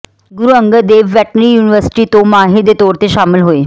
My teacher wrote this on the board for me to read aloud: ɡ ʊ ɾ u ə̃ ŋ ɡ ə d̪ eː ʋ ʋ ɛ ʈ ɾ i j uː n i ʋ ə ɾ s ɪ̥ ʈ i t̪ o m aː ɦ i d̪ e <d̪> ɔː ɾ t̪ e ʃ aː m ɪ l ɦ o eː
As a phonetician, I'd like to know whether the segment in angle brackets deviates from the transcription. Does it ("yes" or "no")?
yes